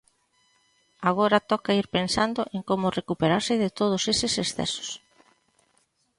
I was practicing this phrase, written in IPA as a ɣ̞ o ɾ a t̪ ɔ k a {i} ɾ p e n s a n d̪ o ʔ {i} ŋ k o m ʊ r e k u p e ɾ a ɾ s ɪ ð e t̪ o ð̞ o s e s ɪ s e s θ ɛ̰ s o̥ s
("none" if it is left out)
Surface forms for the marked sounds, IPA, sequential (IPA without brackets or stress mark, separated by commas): i, e